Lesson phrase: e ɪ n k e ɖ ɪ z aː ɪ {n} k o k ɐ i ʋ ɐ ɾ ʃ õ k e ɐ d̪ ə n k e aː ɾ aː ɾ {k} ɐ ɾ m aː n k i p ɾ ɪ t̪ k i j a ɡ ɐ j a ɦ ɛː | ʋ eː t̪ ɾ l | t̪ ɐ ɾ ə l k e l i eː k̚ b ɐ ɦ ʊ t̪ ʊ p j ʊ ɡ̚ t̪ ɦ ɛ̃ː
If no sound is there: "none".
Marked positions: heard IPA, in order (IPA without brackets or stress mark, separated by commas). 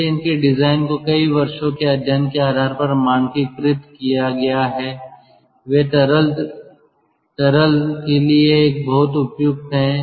n, p